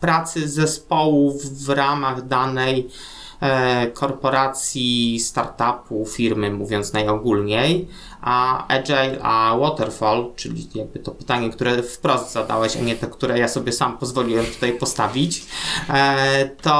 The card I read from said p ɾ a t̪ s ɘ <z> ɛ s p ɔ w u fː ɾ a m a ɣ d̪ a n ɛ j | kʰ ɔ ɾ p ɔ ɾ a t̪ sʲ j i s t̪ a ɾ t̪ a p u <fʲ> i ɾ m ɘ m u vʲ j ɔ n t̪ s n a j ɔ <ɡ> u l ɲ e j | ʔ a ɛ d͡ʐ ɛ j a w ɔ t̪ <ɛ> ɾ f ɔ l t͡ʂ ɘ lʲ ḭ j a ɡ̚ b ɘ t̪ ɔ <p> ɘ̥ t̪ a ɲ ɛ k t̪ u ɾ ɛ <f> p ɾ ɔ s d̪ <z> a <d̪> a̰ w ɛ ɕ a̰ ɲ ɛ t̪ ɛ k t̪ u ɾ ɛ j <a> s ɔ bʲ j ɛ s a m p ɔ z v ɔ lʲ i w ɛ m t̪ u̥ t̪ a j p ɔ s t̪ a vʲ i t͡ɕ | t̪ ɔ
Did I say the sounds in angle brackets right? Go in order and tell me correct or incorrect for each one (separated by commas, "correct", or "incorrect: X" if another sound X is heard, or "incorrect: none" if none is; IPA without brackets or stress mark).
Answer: correct, correct, correct, correct, correct, correct, correct, correct, correct